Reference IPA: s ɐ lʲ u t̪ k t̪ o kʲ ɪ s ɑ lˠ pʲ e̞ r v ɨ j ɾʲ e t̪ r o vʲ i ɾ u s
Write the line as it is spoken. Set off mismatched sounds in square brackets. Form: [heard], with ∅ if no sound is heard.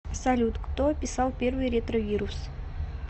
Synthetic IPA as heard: s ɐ lʲ u t̪ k t̪ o [pʲ] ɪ s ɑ lˠ pʲ e̞ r v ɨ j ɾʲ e t̪ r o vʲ i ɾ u s